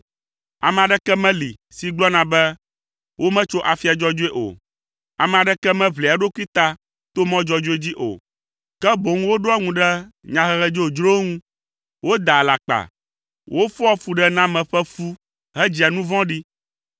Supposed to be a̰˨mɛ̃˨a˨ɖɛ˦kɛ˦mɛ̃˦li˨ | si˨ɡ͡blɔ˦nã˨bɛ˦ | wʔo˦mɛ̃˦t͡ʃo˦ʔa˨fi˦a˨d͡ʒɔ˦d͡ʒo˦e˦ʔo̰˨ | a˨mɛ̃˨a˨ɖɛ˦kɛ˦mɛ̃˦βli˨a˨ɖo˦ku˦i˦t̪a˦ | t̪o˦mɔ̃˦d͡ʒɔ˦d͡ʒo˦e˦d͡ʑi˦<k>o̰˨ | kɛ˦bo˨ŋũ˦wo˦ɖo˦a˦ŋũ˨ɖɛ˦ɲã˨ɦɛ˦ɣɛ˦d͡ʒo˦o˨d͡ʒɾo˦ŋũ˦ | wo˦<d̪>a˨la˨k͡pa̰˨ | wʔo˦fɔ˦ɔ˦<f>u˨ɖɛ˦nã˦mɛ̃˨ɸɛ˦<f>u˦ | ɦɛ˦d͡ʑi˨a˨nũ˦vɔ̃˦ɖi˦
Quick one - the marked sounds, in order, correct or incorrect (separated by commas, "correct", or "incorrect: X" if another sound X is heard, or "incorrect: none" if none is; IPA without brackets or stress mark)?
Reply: incorrect: ʔ, correct, correct, correct